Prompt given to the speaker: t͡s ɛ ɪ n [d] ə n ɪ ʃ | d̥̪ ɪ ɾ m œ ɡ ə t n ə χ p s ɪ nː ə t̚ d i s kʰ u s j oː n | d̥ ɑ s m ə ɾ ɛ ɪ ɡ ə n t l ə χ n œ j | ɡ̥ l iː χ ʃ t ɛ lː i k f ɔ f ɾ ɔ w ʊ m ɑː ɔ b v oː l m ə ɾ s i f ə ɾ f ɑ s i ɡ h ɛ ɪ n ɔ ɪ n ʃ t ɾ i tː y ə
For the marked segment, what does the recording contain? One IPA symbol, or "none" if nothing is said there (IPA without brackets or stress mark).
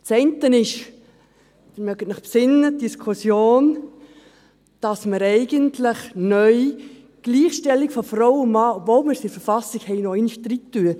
t